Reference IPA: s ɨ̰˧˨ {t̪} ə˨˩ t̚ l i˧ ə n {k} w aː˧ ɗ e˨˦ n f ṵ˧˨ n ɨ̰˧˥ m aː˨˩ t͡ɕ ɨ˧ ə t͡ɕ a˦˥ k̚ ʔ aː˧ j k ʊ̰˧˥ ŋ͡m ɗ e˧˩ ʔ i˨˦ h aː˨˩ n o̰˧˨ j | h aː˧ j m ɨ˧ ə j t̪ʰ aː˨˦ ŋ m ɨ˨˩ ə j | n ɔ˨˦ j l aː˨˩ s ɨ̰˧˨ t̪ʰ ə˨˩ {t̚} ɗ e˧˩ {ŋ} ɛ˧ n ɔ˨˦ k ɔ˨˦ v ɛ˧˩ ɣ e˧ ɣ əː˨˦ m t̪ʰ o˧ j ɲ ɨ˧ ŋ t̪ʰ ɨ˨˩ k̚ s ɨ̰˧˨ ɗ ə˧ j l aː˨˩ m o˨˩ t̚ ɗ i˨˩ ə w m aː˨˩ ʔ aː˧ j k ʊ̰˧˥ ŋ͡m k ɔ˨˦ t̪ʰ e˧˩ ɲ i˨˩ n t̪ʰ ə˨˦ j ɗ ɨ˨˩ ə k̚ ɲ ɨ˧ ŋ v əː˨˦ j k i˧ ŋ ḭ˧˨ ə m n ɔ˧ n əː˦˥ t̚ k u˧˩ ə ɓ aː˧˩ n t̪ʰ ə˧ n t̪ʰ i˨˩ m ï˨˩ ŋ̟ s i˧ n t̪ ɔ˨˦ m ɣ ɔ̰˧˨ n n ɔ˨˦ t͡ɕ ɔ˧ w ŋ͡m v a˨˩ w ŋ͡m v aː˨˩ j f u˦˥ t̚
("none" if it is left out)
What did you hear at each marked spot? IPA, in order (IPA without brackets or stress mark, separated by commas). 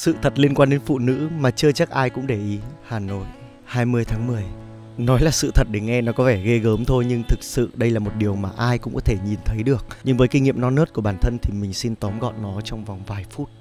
t̪ʰ, k, t̚, ŋ